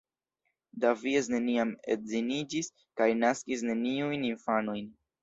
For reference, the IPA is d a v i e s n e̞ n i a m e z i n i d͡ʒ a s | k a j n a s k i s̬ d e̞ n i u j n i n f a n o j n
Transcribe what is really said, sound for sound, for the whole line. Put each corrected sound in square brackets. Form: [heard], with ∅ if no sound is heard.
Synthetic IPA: d a v i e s n e̞ n i a m e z i n i d͡ʒ [i] s | k a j n a s k i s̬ [n] e̞ n i u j n i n f a n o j n